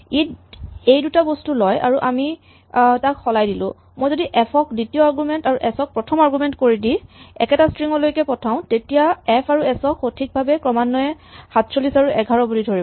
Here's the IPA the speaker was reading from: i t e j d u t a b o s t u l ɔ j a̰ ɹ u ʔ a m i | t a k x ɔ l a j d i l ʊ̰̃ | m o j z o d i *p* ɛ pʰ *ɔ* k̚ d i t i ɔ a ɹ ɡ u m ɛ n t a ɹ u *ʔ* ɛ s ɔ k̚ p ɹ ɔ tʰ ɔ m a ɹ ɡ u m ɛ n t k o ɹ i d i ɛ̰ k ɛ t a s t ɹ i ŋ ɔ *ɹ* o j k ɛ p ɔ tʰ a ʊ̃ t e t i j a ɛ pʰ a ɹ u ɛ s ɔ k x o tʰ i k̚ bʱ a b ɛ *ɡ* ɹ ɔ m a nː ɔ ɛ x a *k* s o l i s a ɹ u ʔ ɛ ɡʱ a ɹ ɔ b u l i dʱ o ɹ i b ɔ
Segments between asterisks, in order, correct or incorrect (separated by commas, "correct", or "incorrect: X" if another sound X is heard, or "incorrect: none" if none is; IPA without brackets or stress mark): incorrect: ʔ, correct, correct, incorrect: l, incorrect: k, incorrect: t